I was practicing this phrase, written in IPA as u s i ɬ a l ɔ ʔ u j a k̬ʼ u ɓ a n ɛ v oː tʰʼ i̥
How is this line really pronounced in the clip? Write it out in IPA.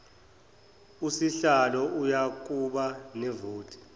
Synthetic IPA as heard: u s i ɬ a l ɔ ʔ u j a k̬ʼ u ɓ a n ɛ v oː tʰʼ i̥